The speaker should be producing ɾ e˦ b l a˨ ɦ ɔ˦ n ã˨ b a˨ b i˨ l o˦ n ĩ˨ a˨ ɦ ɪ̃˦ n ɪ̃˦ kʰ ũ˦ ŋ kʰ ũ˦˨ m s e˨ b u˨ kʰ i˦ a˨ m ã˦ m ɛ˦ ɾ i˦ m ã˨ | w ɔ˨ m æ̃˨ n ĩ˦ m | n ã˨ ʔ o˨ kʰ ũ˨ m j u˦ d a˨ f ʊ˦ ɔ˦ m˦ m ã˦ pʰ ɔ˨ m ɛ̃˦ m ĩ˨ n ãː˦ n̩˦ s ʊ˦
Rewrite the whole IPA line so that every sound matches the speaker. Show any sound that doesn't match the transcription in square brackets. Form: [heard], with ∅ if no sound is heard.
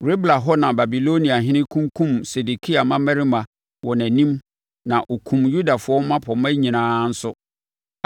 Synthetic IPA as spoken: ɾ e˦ b l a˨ ɦ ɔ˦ n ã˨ b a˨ b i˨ l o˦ n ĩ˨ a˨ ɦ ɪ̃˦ n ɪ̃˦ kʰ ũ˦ ŋ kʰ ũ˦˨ m s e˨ [d] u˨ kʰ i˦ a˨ m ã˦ m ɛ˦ ɾ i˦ m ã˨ | w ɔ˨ [n] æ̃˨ n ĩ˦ m | n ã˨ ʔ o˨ kʰ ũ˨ m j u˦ d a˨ f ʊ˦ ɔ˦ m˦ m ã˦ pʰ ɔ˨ m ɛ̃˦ [ɲ] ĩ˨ n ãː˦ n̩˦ s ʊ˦

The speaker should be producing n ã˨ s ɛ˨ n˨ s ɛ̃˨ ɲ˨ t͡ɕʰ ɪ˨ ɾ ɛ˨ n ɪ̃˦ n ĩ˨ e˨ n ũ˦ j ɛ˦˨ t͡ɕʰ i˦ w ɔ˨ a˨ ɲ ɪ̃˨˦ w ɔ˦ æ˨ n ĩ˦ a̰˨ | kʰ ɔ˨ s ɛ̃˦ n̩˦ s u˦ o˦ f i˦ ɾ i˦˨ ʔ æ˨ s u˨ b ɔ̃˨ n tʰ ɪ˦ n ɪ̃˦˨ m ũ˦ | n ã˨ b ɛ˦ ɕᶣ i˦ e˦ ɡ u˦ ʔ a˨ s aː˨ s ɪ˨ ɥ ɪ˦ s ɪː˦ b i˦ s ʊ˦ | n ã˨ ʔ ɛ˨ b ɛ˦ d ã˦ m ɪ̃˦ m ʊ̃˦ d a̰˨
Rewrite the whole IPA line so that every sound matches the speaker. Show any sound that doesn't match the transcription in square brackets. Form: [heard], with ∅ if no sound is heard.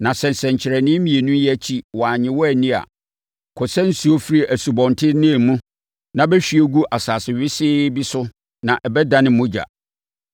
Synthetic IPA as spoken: n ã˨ s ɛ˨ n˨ s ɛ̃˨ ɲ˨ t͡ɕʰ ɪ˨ ɾ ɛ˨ n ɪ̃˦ [m] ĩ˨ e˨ n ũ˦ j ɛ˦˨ t͡ɕʰ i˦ w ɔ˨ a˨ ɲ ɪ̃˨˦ w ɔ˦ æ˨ n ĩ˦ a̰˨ | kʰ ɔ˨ s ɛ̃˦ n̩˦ s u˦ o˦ f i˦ ɾ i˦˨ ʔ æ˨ s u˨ b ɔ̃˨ n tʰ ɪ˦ n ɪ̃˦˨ m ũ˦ | n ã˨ b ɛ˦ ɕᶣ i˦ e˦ ɡ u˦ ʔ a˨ s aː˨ s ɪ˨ ɥ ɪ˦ s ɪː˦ b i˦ s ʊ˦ | n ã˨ ʔ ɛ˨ b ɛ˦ d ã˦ [n] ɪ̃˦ m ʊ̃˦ [d͡ʑ] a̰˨

